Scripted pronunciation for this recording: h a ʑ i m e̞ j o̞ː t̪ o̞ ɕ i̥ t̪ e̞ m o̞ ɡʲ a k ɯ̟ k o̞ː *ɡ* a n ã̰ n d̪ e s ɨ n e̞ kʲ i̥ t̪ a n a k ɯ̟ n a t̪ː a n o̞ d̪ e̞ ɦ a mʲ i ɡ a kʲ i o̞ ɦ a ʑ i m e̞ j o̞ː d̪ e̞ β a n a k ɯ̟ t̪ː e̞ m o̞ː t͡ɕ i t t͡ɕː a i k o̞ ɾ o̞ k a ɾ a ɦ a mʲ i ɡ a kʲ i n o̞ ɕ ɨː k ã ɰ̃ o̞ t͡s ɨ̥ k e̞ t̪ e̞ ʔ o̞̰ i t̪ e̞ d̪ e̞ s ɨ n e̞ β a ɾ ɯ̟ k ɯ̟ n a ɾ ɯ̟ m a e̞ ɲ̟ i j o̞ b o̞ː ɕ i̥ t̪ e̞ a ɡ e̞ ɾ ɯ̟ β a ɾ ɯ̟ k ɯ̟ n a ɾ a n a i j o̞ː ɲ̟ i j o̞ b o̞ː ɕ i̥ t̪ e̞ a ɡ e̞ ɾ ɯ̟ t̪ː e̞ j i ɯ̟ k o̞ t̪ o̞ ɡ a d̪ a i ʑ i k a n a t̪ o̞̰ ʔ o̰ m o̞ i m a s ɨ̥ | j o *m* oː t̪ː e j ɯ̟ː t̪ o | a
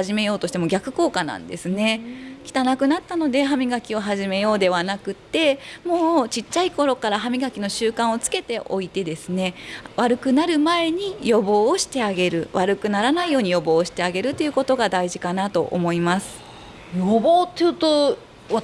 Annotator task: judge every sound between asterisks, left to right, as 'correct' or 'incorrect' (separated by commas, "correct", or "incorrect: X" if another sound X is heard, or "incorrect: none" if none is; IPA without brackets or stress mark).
incorrect: k, incorrect: b